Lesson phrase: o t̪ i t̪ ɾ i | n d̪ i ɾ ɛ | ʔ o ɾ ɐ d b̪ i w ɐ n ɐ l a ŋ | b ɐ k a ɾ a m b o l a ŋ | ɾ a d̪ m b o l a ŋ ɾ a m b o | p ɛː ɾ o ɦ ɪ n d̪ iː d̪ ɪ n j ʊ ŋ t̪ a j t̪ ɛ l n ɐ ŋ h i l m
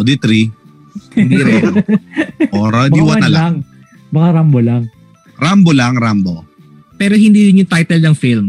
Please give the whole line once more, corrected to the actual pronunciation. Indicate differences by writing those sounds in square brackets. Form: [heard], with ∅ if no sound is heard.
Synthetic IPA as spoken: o [d̪] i t̪ ɾ i | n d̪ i ɾ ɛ | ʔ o ɾ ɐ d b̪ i w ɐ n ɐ l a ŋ | b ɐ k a ɾ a m b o l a ŋ | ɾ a [∅] m b o l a ŋ ɾ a m b o | p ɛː ɾ o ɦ ɪ n d̪ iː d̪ ɪ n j ʊ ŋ t̪ a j t̪ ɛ l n ɐ ŋ [f] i l m